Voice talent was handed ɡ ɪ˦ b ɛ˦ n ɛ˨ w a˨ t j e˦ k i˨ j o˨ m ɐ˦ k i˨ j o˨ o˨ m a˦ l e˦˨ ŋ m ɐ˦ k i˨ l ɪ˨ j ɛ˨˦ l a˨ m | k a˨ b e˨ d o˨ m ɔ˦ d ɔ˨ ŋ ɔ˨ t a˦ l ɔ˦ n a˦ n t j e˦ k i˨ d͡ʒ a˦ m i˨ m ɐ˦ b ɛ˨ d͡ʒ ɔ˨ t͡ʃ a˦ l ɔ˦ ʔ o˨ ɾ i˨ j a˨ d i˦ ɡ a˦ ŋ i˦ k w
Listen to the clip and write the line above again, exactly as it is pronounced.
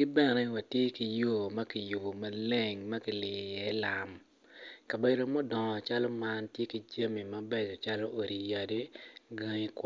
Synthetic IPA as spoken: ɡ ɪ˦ b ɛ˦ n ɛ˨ w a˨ t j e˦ k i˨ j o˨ m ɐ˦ k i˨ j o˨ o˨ m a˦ l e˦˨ ŋ m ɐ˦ k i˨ l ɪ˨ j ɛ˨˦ l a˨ m | k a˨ b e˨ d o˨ m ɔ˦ d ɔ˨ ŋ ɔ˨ t͡ʃ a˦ l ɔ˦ m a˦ n t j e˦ k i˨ d͡ʒ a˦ m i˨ m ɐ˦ b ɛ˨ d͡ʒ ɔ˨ t͡ʃ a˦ l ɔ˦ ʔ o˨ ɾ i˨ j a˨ d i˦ ɡ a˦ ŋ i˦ k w

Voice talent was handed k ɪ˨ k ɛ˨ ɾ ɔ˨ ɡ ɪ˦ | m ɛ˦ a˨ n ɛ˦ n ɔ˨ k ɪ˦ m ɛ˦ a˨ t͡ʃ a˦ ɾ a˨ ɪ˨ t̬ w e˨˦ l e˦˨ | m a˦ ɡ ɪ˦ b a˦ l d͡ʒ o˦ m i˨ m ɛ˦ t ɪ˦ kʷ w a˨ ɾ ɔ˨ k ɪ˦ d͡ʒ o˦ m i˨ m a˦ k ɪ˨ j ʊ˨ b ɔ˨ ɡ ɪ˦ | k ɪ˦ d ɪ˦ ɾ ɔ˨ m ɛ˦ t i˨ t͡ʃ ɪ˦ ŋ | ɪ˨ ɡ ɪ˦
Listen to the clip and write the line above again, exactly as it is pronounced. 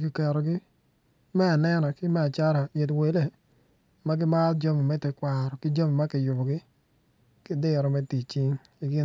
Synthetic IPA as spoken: k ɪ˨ k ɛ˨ ɾ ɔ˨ ɡ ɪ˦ | m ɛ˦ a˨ n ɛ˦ n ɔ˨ k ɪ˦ m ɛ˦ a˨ t͡ʃ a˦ ɾ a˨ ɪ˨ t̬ w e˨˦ l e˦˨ | m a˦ ɡ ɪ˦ m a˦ l d͡ʒ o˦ m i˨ m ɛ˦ t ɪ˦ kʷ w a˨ ɾ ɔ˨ k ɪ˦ d͡ʒ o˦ m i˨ m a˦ k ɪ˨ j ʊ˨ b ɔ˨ ɡ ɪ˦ | k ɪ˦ d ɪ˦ ɾ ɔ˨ m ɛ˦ t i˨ t͡ʃ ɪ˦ ŋ | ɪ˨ ɡ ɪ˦

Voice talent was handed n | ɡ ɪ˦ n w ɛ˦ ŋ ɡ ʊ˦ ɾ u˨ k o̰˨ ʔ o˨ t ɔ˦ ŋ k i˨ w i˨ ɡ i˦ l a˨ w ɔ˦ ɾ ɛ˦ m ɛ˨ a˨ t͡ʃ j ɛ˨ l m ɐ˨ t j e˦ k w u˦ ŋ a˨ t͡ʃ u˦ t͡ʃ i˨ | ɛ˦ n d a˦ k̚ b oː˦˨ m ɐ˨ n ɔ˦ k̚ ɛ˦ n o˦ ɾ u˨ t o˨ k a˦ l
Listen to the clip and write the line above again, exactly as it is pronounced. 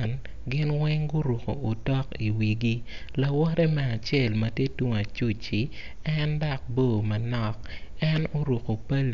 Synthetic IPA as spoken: n | ɡ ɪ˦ n w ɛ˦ ŋ ɡ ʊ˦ ɾ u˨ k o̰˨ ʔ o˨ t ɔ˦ k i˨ w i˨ ɡ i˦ l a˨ w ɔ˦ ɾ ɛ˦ m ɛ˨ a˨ t͡ʃ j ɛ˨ l m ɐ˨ t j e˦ t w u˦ ŋ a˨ t͡ʃ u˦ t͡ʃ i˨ | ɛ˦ n d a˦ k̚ b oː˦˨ m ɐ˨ n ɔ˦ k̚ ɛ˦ n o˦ ɾ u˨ k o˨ p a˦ l

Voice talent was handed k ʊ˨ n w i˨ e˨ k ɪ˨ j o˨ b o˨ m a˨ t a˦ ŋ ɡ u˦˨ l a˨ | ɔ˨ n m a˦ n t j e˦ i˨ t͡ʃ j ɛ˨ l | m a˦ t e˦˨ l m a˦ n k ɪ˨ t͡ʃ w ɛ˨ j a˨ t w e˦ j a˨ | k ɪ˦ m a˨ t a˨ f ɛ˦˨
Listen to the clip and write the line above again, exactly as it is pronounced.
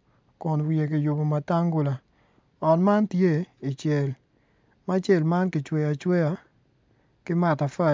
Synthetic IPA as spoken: k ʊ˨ n w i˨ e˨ k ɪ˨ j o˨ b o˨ m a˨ t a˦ ŋ ɡ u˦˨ l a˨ | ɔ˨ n m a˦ n t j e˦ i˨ t͡ʃ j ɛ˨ l | m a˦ t͡ʃ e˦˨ l m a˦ n k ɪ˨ t͡ʃ w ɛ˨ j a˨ t͡ʃ w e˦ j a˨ | k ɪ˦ m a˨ t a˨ f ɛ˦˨

